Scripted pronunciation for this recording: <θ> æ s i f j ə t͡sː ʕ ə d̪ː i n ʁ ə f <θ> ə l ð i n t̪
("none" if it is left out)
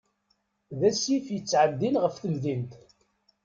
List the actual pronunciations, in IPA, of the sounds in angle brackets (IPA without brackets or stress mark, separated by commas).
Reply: ð, θ